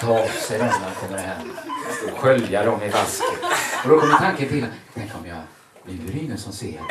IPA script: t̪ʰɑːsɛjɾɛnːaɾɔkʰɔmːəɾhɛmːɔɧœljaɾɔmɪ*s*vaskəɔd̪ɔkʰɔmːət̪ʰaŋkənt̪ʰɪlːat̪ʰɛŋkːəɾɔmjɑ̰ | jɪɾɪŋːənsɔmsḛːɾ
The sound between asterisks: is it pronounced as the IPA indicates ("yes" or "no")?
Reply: no